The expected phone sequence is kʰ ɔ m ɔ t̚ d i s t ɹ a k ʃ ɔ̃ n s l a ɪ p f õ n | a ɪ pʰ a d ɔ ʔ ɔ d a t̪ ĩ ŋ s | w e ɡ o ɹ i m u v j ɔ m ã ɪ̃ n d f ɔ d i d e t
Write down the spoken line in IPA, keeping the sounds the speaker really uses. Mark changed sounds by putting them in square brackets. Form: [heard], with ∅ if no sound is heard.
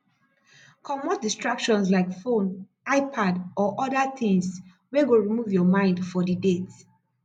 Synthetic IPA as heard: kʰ ɔ m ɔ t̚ d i s t ɹ a k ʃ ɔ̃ n s l a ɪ [k] f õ n | a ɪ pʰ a d ɔ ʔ ɔ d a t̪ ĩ ŋ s | w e ɡ o ɹ i m u v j ɔ m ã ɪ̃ n d f ɔ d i d e t